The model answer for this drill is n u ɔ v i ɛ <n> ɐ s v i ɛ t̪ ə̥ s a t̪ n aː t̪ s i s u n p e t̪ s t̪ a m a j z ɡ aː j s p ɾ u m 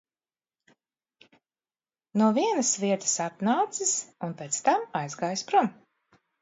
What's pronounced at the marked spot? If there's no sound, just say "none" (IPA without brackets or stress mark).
n